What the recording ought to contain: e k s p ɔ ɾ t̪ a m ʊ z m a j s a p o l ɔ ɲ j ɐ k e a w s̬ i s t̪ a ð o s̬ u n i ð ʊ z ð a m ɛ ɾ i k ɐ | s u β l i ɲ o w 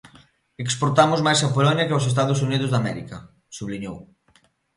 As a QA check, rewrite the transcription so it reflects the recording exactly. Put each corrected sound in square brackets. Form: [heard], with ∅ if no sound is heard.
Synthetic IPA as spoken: e k s p [o] ɾ t̪ a m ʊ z m a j s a p o l ɔ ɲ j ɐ k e a w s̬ [e] s t̪ a ð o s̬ u n i ð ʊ z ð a m ɛ ɾ i k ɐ | s u β l i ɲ o w